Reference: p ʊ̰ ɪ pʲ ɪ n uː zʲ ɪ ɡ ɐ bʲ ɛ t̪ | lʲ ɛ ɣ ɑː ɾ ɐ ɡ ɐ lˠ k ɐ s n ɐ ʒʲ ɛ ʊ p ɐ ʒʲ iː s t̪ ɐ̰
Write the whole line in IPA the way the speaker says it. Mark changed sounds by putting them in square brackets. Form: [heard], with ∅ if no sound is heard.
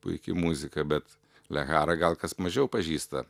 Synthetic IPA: p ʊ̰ ɪ [kʲ] ɪ [m] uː zʲ ɪ [k] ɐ bʲ ɛ t̪ | lʲ ɛ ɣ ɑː ɾ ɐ ɡ ɐ lˠ k ɐ s [m] ɐ ʒʲ ɛ ʊ p ɐ ʒʲ iː s t̪ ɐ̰